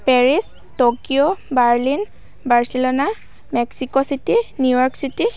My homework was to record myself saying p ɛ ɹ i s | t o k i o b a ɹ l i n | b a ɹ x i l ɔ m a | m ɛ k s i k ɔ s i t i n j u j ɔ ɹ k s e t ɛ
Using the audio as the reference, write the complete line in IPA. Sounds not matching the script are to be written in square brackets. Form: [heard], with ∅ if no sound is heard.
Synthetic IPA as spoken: p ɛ ɹ i s | t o k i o b a ɹ l i n | b a ɹ [s] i l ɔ [n] a | m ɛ k s i k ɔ s i t i n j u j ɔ ɹ k s [i] t [i]